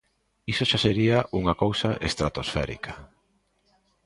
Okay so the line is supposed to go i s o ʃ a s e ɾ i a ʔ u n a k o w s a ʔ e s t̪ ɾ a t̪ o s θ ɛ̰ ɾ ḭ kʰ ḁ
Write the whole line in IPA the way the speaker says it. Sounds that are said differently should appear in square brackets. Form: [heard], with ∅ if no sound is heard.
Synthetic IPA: i s o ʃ a s e ɾ i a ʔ u [ŋ] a k o w s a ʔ e s t̪ ɾ a t̪ o s [f] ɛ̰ ɾ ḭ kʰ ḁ